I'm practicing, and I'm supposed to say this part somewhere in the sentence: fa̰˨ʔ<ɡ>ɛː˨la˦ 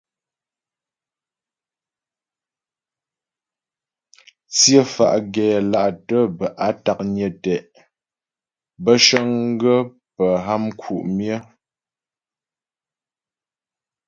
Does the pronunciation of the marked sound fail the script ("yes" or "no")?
no